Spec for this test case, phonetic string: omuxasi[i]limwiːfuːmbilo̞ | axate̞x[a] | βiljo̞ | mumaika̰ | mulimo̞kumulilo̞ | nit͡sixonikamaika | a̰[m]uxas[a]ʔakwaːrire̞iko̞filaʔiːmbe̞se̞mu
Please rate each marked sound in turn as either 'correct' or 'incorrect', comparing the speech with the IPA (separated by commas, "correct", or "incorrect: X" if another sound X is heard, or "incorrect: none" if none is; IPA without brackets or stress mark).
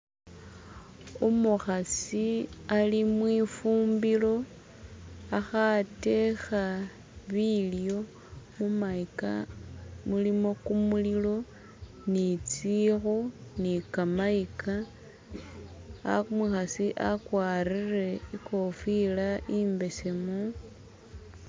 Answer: incorrect: a, correct, correct, incorrect: i